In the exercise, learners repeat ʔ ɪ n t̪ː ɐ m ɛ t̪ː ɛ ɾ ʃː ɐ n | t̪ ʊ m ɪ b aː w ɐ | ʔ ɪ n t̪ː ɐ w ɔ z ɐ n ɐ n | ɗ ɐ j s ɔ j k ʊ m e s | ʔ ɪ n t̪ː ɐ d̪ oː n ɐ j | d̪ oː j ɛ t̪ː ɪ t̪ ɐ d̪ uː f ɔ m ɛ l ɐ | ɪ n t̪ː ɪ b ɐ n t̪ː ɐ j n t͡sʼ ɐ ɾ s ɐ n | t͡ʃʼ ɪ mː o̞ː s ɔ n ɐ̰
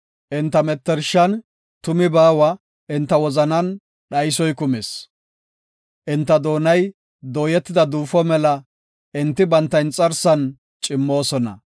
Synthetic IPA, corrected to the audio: ʔ ɪ n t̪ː ɐ m ɛ t̪ː ɛ ɾ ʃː ɐ n | t̪ ʊ m ɪ b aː w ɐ | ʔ ɪ n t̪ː ɐ w ɔ z ɐ n ɐ n | ɗ ɐ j s ɔ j k ʊ m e s | ʔ ɪ n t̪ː ɐ d̪ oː n ɐ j | d̪ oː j ɛ t̪ː ɪ d̪ ɐ d̪ uː f ɔ m ɛ l ɐ | ɪ n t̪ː ɪ b ɐ n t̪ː ɐ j n t͡sʼ ɐ ɾ s ɐ n | t͡ʃʼ ɪ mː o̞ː s ɔ n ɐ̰